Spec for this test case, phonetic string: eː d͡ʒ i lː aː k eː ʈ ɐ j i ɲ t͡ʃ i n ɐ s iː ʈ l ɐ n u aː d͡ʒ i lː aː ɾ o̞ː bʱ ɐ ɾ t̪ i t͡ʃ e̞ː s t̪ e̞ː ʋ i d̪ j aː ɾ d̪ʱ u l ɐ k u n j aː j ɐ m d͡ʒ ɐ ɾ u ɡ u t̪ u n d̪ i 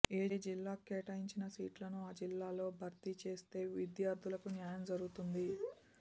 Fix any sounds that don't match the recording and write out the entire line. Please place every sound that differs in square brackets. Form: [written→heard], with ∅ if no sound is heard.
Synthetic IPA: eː d͡ʒ i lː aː k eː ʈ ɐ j i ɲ t͡ʃ i n ɐ s iː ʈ l ɐ n u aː d͡ʒ i lː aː [ɾ→l] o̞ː bʱ ɐ ɾ t̪ i t͡ʃ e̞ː s t̪ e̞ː ʋ i d̪ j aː ɾ d̪ʱ u l ɐ k u n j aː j ɐ m d͡ʒ ɐ ɾ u ɡ u t̪ u n d̪ i